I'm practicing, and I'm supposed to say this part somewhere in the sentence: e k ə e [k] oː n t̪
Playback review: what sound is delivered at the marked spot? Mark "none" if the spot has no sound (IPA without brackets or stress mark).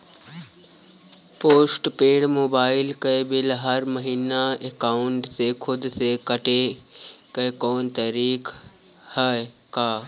k